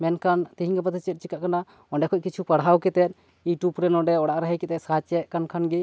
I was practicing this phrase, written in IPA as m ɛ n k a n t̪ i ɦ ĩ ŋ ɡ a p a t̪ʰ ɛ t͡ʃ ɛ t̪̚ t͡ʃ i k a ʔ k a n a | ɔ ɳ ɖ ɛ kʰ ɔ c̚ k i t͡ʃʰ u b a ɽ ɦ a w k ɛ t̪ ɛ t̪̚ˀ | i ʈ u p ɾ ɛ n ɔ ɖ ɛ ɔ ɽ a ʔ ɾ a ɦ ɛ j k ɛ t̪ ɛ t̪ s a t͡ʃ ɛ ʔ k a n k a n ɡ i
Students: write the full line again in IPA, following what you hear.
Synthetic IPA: m ɛ n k a n t̪ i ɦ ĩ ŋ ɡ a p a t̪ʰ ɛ t͡ʃ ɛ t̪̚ t͡ʃ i k a ʔ k a n a | ɔ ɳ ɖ ɛ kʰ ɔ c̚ k i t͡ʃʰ u p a ɽ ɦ a w k ɛ t̪ ɛ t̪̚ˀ | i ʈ u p ɾ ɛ n ɔ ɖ ɛ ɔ ɽ a ʔ ɾ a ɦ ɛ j k ɛ t̪ ɛ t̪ s a t͡ʃ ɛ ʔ k a n kʰ a n ɡ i

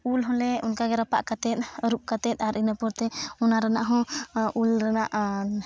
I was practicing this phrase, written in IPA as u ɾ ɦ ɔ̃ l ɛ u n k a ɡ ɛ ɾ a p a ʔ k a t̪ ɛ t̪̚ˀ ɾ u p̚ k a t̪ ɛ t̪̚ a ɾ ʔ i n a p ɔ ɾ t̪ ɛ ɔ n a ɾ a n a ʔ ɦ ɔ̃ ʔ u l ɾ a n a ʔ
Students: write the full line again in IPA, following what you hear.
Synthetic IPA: u l ɦ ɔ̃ l ɛ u n k a ɡ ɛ ɾ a p a ʔ k a t̪ ɛ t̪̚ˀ ɾ u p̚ k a t̪ ɛ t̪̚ a ɾ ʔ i n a p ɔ ɾ t̪ ɛ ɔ n a ɾ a n a ʔ ɦ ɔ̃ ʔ u l ɾ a n a ʔ

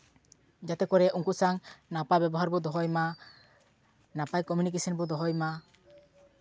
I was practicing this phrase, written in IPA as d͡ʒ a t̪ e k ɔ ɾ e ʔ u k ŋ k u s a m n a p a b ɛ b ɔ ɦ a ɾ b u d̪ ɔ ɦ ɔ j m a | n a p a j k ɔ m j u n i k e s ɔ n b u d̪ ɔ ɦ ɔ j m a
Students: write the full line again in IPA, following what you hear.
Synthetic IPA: d͡ʒ a t̪ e k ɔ ɾ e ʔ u ŋ k u s a ŋ n a p a b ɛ b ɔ ɦ a ɾ b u d̪ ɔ ɦ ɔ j m a | n a p a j k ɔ m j u n i k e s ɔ n b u d̪ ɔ ɦ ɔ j m a

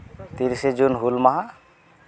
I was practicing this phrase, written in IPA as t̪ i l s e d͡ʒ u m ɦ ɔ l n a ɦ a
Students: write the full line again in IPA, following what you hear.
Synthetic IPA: t̪ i ɾ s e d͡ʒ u n ɦ u l m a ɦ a

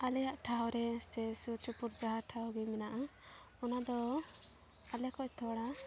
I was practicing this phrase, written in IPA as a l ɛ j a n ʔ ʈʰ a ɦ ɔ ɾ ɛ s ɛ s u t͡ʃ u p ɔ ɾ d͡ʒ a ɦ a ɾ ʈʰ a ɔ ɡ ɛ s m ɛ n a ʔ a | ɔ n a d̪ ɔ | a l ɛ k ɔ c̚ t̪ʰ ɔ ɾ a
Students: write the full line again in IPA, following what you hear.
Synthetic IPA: a l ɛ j a ʔ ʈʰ a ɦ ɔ ɾ ɛ s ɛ s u t͡ʃ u p u ɾ d͡ʒ a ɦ a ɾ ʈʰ a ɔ ɡ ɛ m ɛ n a ʔ a | ɔ n a d̪ ɔ | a l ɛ k ɔ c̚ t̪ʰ ɔ ɽ a

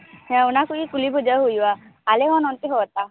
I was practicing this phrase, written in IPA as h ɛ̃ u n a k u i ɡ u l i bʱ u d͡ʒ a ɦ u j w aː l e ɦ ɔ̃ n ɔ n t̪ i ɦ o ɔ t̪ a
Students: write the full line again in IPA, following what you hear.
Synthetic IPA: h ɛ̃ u n a k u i k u l i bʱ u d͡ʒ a ɦ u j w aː l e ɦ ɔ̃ n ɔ n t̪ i ɦ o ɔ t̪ a

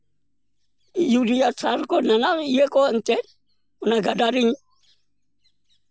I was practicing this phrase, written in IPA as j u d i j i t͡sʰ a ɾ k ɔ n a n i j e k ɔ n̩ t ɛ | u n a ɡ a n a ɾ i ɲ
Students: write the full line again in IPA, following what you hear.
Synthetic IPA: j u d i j a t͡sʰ a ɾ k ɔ n a n a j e k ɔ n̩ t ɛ | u n a ɡ a d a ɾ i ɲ

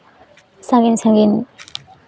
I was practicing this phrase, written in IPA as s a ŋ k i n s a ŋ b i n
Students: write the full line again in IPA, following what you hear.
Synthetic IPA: s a ŋ ɡ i n s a ŋ ɡ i n

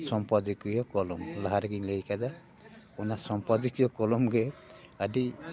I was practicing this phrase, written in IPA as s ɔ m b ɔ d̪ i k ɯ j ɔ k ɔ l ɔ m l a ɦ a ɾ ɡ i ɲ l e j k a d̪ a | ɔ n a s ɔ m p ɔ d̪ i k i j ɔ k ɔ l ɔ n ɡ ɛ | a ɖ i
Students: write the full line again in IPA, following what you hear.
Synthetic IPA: s ɔ m p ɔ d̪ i k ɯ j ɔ k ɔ l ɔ m l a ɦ a ɾ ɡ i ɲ l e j k a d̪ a | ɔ n a s ɔ m p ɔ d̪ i k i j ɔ k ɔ l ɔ m ɡ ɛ | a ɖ i

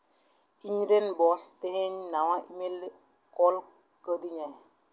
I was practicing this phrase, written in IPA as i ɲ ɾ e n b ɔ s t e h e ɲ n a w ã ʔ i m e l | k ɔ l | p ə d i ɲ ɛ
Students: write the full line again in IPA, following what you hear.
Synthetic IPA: i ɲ ɾ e n b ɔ s t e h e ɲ n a w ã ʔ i m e l | k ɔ l | k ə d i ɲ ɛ

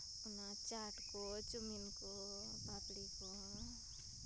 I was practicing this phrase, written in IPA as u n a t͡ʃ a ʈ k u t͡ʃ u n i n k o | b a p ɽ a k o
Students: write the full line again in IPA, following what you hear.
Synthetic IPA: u n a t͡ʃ a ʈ k o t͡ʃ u m i n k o | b a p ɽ i k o

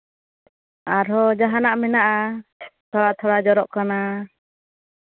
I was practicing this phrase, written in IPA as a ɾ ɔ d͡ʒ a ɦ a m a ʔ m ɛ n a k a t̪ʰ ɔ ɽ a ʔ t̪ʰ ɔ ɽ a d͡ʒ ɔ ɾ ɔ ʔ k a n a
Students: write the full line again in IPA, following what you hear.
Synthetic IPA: a ɾ ɔ d͡ʒ a ɦ a n a ʔ m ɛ n a ʔ a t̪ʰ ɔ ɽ a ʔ t̪ʰ ɔ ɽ a d͡ʒ ɔ ɾ ɔ ʔ k a n a

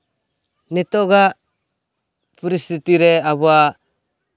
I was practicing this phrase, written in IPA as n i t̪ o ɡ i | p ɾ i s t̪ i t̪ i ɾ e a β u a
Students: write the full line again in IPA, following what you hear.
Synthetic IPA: n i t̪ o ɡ a | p ɾ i s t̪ i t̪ i ɾ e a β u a

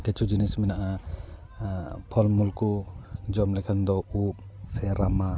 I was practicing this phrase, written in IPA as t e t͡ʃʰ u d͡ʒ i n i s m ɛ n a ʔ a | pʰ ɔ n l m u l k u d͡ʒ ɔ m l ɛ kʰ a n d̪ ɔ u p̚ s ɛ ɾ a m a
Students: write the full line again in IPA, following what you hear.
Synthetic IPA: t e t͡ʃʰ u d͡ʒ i n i s m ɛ n a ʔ a | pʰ ɔ l m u l k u d͡ʒ ɔ m l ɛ kʰ a n d̪ ɔ u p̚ s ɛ ɾ a m a

